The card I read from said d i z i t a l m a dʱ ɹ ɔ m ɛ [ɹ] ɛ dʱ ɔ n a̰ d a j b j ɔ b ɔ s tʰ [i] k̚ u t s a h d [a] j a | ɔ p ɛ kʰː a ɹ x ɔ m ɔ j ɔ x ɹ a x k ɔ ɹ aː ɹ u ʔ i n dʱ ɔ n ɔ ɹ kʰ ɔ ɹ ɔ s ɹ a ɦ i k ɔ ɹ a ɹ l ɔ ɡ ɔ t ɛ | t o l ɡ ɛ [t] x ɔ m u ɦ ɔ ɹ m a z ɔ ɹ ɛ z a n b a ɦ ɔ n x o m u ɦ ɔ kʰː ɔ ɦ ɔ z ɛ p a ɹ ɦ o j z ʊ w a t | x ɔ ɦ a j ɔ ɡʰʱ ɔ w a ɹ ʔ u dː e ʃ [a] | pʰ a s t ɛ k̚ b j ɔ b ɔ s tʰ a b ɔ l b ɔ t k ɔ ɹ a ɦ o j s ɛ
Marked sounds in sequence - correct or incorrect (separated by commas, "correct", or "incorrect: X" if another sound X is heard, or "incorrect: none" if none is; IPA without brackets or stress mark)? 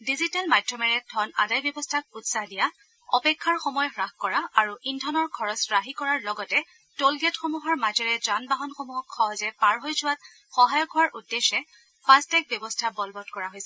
correct, incorrect: a, incorrect: i, correct, incorrect: ɛ